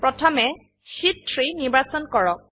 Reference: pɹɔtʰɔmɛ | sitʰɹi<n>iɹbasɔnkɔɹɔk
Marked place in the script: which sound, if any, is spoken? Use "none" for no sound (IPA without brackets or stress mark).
n